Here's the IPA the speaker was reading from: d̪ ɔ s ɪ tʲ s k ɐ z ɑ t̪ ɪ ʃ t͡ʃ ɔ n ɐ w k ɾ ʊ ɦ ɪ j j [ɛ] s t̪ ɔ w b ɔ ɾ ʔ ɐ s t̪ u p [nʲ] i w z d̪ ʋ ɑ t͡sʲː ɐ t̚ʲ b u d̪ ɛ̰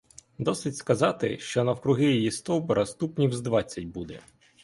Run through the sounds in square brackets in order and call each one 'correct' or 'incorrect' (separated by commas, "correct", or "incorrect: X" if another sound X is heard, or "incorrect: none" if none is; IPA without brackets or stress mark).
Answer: incorrect: i, correct